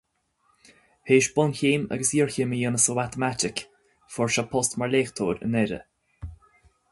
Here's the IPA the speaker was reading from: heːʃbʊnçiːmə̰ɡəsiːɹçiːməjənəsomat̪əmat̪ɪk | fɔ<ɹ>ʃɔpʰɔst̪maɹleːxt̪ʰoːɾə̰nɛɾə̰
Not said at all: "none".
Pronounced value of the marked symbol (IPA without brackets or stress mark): ɹ